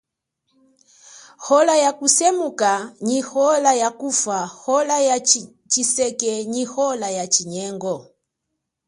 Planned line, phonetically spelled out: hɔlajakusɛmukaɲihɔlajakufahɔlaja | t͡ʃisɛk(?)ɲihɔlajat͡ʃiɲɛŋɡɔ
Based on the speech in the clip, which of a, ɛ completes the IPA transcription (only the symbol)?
ɛ